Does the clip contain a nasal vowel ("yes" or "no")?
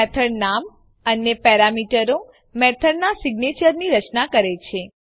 no